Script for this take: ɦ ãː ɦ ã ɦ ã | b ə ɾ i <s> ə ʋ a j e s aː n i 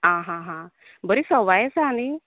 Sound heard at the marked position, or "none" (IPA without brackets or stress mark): s